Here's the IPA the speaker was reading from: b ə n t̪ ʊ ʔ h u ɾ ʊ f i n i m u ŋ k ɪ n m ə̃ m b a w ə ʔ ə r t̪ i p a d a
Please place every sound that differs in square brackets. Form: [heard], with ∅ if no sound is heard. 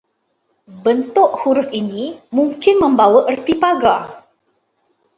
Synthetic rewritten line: b ə n t̪ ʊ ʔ h u ɾ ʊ f i n i m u ŋ k ɪ n m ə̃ m b a w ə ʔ ə r t̪ i p a [ɡ] a